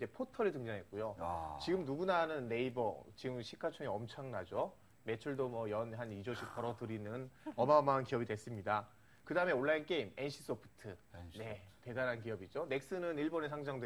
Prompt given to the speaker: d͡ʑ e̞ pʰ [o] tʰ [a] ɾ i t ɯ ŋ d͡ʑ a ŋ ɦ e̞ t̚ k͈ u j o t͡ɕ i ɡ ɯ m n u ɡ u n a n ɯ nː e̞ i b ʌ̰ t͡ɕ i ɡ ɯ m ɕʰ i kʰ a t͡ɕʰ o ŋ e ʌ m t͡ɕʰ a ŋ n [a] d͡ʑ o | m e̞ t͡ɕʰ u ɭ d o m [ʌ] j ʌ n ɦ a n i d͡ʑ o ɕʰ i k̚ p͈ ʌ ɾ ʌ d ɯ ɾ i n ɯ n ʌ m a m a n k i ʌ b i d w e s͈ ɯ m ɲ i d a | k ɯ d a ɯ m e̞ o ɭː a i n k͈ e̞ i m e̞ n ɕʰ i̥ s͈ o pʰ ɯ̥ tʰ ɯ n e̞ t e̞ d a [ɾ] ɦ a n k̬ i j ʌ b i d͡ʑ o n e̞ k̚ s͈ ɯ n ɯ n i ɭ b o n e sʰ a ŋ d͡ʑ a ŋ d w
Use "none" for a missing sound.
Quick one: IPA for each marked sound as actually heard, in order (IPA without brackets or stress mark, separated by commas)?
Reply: o, ʌ, a, ʌ, ɾ